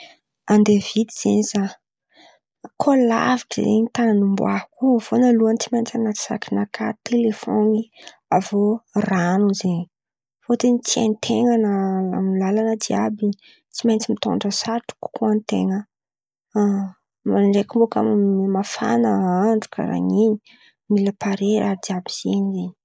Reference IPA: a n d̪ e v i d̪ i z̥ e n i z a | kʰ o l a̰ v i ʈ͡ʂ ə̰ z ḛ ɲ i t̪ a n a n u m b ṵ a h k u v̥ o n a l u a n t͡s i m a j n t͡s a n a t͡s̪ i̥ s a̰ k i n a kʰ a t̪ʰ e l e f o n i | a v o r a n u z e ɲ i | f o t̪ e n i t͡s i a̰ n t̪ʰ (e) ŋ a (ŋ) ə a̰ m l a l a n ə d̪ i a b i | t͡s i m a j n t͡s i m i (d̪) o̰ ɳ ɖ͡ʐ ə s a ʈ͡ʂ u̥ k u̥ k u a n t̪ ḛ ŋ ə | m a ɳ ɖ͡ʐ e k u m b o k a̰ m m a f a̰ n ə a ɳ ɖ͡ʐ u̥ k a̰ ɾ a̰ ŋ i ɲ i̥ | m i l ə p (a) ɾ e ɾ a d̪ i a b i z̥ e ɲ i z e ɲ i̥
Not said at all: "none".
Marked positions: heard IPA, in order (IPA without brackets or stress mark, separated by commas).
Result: e, n, t̪, a